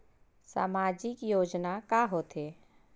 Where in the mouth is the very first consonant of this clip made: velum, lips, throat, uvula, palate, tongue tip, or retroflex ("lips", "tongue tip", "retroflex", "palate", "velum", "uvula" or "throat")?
tongue tip